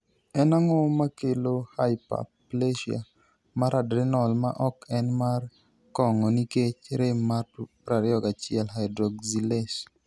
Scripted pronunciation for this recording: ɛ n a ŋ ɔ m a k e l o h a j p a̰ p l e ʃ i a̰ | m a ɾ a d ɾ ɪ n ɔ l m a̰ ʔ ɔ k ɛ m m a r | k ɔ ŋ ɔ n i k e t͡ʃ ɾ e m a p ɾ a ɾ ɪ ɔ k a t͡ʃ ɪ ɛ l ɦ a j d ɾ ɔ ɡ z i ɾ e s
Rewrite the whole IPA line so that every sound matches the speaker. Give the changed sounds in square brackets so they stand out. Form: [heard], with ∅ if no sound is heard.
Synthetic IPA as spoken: ɛ n a ŋ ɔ m a k e l o h a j p a̰ p l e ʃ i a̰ | m a ɾ a d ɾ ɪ n ɔ l m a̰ ʔ ɔ k ɛ [n] m a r | k ɔ ŋ ɔ n i k e t͡ʃ ɾ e m a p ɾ a ɾ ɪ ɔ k a t͡ʃ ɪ ɛ l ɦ a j d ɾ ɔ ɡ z i [l] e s